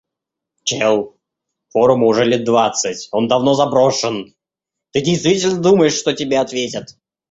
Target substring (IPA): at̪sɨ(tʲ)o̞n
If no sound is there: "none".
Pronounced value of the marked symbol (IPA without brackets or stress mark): tʲ